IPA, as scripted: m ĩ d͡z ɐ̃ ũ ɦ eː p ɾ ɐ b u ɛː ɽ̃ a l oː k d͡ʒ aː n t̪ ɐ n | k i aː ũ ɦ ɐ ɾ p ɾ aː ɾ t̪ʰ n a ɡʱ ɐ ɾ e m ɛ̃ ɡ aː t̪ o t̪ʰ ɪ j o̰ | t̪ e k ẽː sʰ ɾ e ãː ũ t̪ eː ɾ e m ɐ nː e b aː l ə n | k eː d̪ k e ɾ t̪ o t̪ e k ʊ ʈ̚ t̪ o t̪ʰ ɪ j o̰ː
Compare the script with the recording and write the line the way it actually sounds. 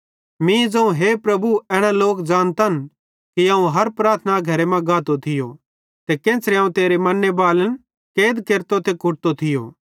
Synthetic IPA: m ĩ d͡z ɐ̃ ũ ɦ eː p ɾ ɐ b u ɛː ɽ̃ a l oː k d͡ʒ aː n t̪ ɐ n | k i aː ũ ɦ ɐ ɾ p ɾ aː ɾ t̪ʰ n a ɡʱ ɐ ɾ e m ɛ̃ ɡ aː t̪ o t̪ʰ ɪ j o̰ | t̪ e k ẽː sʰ ɾ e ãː ũ t̪ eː ɾ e m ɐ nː e b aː l ə n | k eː d̪ k e ɾ t̪ o t̪ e k ʊ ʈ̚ t̪ o t̪ʰ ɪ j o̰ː